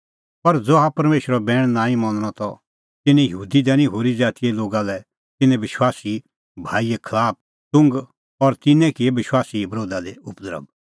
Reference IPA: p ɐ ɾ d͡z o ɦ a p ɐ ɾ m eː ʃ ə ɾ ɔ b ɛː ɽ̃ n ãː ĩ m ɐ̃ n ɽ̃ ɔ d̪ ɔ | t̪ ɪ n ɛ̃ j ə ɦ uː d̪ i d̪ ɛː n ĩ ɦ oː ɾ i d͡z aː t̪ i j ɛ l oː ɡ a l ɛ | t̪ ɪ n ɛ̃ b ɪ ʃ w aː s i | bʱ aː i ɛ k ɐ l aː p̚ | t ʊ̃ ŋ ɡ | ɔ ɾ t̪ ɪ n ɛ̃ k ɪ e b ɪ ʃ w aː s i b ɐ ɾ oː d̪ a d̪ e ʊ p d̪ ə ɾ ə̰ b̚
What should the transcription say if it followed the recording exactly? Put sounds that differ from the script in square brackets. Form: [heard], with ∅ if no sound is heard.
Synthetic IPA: p ɐ ɾ d͡z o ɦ a p ɐ ɾ m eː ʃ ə ɾ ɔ b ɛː ɽ̃ n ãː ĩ m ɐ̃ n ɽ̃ ɔ [t̪] ɔ | t̪ ɪ n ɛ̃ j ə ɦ uː d̪ i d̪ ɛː n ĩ ɦ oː ɾ i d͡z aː t̪ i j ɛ l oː ɡ a l ɛ | t̪ ɪ n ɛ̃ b ɪ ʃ w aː s i | bʱ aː i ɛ [kʰ] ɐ l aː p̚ | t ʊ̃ ŋ ɡ | ɔ ɾ t̪ ɪ n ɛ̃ k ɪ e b ɪ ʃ w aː s i b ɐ ɾ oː d̪ a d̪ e ʊ p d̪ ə ɾ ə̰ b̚